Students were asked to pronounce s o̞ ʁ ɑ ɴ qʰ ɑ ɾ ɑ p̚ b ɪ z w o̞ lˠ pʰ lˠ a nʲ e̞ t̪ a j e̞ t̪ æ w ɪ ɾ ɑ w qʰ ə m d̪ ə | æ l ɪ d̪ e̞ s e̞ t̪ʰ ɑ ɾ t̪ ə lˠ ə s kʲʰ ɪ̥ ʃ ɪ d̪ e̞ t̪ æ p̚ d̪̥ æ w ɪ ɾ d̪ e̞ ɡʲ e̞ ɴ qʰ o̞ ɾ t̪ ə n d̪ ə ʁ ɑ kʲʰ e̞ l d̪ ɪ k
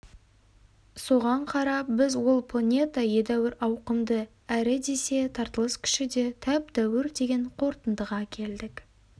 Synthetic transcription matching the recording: s o̞ ʁ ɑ ɴ qʰ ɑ ɾ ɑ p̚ b ɪ z w o̞ lˠ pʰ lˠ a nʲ e̞ t̪ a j e̞ d̪ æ w ɪ ɾ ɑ w q ə m d̪ ə | æ ɾ ɪ d̪ e̞ s e̞ t̪ʰ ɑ ɾ t̪ ə lˠ ə s kʲʰ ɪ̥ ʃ ɪ d̪ e̞ t̪ʰ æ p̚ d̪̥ æ w ɪ ɾ d̪ e̞ ɡʲ e̞ ɴ qʰ o̞ ɾ t̪ ə n d̪ ə ʁ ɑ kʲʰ e̞ l d̪ ɪ k